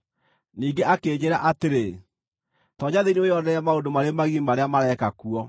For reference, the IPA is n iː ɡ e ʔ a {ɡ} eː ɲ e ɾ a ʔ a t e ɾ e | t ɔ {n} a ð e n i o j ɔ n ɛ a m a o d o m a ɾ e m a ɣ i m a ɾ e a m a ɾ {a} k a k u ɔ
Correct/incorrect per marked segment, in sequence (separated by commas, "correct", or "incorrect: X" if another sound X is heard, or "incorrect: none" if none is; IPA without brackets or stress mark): incorrect: k, incorrect: ɲ, incorrect: ɛ